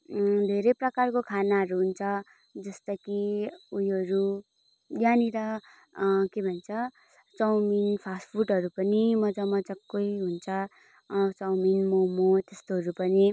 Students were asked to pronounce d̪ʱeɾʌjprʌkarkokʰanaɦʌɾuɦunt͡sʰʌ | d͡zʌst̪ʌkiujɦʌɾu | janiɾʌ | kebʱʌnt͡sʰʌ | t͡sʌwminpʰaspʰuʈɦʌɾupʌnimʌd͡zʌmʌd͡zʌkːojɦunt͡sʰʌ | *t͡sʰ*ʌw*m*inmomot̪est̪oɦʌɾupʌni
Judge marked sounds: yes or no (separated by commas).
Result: no, yes